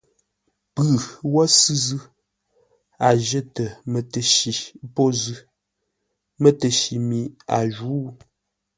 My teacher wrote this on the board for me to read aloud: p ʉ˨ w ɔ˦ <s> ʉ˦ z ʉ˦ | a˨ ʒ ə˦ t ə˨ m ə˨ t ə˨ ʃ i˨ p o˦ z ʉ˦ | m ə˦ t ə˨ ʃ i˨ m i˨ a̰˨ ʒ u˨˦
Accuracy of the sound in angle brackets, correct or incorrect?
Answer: correct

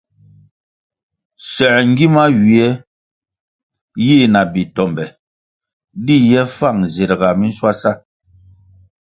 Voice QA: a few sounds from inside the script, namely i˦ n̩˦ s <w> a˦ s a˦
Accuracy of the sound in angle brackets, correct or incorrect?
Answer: correct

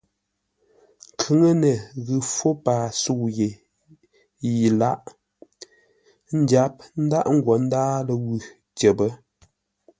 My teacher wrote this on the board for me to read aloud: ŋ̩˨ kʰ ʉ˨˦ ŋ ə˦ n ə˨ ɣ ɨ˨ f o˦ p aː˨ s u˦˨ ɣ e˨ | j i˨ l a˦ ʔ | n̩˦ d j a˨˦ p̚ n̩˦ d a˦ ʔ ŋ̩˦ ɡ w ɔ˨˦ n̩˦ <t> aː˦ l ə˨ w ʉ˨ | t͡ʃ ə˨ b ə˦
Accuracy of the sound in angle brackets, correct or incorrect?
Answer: incorrect: d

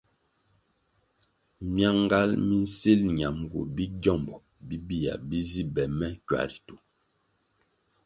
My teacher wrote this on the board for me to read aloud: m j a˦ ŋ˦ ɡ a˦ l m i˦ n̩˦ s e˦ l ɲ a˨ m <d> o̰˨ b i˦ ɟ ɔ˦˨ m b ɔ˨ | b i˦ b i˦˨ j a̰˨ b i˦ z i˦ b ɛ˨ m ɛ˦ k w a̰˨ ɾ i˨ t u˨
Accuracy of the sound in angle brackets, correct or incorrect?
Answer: incorrect: ɡ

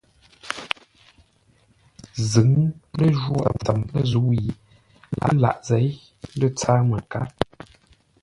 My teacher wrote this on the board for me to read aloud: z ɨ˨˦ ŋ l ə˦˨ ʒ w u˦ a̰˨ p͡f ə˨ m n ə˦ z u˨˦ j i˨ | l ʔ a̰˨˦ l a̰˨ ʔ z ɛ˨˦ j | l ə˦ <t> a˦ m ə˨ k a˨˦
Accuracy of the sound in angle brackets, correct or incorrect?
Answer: incorrect: t͡s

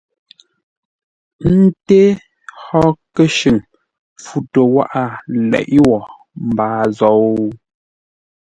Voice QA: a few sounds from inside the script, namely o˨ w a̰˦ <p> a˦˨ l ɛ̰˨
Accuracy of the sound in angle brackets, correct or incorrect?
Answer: incorrect: ʔ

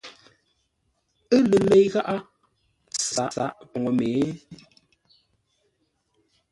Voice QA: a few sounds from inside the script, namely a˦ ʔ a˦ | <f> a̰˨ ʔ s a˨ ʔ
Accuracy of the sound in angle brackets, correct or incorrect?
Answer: incorrect: s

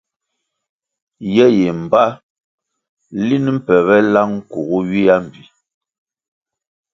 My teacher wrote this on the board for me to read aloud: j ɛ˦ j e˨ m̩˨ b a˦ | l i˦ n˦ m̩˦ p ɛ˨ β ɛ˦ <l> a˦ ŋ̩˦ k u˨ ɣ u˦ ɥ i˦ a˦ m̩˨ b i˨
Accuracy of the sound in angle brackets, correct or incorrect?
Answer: correct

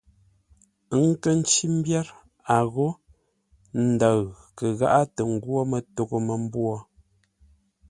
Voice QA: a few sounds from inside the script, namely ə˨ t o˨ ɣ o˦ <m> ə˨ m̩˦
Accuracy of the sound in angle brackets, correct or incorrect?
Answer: correct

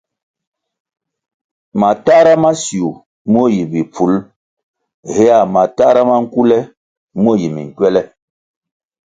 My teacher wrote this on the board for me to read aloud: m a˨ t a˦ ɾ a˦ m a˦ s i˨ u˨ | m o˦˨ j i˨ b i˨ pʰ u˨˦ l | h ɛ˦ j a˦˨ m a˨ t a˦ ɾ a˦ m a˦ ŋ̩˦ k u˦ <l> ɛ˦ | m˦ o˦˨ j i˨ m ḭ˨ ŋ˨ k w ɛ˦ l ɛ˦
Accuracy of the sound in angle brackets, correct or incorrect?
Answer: correct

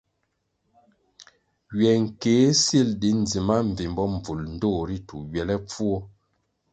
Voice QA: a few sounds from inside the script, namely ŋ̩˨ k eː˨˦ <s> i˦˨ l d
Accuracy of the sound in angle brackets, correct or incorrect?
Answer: correct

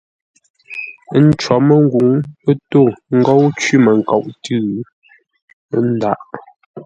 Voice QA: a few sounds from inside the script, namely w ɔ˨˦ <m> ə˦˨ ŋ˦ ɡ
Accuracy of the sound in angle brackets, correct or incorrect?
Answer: correct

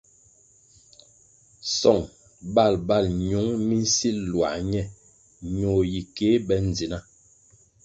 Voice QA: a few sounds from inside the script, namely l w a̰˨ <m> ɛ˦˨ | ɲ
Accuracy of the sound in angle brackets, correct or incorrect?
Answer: incorrect: ɲ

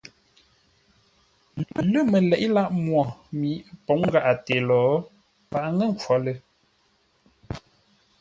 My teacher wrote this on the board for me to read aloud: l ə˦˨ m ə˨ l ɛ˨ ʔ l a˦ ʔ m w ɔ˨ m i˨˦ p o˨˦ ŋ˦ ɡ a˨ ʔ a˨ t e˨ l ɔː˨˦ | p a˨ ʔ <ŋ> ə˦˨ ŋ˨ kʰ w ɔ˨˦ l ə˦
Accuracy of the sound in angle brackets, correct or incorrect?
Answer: correct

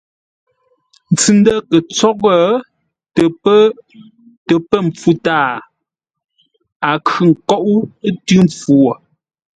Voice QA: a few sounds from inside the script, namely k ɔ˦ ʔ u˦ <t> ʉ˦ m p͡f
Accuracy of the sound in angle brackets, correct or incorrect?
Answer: correct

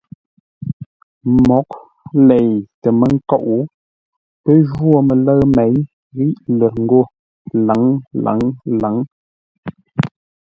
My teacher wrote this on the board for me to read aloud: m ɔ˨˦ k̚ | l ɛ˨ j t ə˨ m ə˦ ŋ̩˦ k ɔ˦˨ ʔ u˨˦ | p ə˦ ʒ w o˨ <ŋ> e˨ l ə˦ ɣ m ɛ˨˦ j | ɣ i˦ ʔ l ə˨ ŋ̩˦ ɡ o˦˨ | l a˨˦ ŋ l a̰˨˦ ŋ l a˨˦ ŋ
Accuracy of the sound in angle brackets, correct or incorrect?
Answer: incorrect: m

